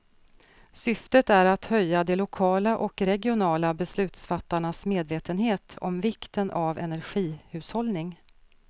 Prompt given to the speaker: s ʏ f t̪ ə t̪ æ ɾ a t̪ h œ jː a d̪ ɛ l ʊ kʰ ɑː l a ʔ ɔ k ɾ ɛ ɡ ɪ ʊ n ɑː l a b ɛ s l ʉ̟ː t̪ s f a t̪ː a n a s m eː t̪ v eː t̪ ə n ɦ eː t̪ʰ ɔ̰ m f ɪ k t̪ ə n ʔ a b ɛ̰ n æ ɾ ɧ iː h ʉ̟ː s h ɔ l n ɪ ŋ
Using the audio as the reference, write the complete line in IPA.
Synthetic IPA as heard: s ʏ f t̪ ə t̪ æ ɾ a t̪ h œ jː a d̪ ɛ l ʊ kʰ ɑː l a ʔ ɔ k ɾ ɛ ɡ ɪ ʊ n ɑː l a b ɛ s l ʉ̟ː t̪ s f a t̪ː a ɳ a s m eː d̪ v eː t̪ ə n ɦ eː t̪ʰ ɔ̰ m v ɪ k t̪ ə n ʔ a v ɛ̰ n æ ɾ ɧ iː h ʉ̟ː s h ɔ l n ɪ ŋ